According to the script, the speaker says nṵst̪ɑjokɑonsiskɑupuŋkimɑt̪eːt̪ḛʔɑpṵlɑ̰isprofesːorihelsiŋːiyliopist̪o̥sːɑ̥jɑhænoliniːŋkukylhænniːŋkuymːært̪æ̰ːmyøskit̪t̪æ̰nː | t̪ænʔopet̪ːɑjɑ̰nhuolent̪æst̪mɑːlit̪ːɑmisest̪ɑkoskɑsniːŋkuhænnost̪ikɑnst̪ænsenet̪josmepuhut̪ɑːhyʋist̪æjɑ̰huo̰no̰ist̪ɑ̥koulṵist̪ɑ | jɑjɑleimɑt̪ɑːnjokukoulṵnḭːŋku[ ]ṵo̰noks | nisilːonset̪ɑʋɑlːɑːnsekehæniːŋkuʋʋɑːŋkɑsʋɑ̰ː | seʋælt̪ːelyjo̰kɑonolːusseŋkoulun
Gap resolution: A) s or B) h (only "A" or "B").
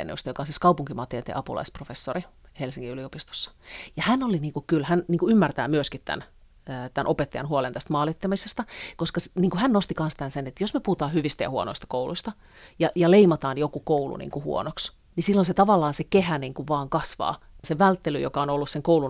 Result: B